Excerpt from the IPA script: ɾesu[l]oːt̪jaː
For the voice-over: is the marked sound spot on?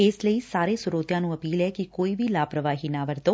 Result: no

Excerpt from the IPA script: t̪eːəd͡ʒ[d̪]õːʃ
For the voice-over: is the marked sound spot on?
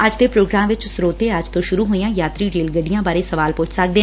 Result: no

